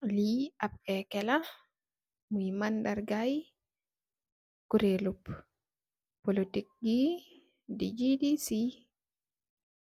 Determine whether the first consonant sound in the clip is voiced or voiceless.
voiced